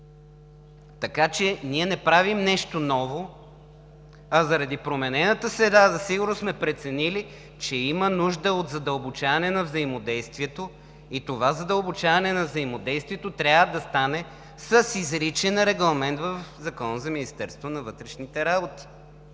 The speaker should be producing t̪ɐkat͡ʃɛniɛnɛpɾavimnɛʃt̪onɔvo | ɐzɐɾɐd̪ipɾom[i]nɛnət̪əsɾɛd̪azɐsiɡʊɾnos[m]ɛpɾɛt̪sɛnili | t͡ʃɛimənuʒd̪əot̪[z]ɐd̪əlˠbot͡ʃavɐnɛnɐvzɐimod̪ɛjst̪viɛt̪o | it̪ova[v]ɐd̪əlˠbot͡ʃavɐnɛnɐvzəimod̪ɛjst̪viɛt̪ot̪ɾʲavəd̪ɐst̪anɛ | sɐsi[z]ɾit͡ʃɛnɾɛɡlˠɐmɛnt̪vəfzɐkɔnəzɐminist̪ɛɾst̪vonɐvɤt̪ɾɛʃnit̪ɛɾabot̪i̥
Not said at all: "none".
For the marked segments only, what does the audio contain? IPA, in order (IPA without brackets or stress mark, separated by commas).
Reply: ɛ, m, z, z, z